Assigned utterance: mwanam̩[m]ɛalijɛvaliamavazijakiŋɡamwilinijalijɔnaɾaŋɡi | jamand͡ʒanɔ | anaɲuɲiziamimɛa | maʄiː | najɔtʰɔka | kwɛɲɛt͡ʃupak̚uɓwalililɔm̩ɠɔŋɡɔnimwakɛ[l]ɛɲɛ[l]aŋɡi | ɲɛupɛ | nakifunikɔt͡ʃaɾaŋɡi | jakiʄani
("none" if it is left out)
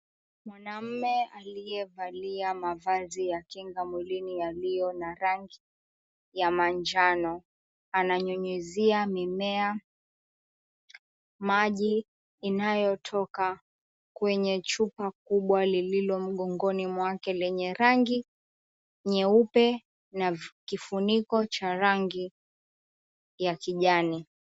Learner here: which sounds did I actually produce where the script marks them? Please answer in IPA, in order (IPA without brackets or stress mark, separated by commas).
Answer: m, l, ɾ